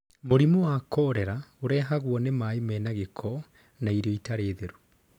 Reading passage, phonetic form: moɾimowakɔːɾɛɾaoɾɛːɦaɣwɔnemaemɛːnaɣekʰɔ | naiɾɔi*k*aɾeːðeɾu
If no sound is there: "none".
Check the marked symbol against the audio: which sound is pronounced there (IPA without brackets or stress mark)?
t